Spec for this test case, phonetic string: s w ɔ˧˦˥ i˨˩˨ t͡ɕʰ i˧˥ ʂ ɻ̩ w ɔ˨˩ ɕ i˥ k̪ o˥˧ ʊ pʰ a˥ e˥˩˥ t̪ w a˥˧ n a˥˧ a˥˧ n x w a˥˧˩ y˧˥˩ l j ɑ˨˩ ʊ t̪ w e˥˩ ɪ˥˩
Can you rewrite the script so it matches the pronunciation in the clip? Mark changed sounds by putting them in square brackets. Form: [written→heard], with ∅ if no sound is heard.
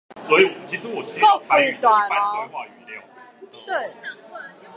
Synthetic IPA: s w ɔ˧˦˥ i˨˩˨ t͡ɕʰ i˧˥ ʂ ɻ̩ w ɔ˨˩ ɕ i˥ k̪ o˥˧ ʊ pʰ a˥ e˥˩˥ t̪ w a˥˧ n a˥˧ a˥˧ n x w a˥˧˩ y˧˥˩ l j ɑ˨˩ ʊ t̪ w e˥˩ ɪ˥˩